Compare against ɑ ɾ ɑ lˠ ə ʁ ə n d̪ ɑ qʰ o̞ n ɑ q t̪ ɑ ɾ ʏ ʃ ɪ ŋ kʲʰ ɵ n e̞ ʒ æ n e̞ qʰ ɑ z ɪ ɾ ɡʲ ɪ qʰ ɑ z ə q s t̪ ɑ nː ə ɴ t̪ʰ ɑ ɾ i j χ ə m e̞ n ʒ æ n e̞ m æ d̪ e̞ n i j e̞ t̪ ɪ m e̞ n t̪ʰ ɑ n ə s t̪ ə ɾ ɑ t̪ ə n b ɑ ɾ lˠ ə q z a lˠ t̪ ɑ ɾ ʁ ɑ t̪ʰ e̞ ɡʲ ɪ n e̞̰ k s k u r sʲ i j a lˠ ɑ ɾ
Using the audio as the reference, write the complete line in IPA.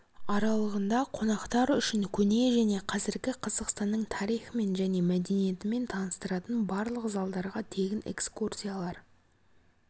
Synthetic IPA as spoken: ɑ ɾ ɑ lˠ ə ʁ ə n d̪ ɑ qʰ o̞ n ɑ q t̪ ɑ ɾ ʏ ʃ ɪ ŋ kʲʰ ɵ n e̞ ʒ æ n e̞ qʰ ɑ z ɪ ɾ ɡʲ ɪ qʰ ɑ z ə q s t̪ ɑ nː ə ɴ t̪ʰ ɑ ɾ i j χ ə m e̞ n ʒ æ n e̞ m æ d̪ e̞ n i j e̞ t̪ ɪ m e̞ n t̪ʰ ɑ n ə s t̪ ə ɾ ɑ t̪ ə n b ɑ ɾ lˠ ə q z ɑ lˠ d̪ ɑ ɾ ʁ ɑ t̪ʰ e̞ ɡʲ ɪ n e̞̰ k s k u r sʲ i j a lˠ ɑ ɾ